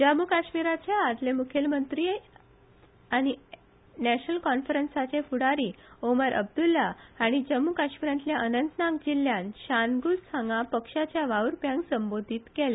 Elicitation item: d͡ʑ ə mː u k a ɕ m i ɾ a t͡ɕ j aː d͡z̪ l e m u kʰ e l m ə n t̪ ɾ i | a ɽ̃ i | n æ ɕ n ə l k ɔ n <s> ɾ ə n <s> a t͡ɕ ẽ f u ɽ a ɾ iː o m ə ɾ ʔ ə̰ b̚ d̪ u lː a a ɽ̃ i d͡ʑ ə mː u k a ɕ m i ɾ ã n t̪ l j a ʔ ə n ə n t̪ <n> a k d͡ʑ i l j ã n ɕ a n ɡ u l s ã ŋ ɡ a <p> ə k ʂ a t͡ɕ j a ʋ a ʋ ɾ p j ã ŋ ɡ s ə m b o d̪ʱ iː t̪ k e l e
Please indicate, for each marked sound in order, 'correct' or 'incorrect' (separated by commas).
incorrect, correct, correct, correct